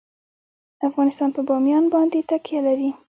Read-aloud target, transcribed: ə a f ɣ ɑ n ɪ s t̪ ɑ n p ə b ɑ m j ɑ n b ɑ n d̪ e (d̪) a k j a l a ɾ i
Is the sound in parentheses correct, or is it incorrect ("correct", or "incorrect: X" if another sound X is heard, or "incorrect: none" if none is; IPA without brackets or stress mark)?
incorrect: t̪